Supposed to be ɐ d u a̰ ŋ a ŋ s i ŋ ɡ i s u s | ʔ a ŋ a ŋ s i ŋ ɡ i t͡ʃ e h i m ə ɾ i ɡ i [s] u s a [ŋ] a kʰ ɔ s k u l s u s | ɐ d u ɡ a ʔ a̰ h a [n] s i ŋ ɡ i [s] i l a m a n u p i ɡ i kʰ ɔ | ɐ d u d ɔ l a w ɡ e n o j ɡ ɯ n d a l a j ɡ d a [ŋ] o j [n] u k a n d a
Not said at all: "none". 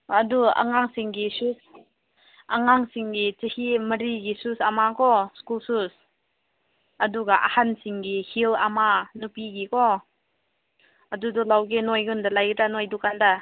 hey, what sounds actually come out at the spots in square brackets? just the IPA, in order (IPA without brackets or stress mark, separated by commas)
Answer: s, m, n, h, n, d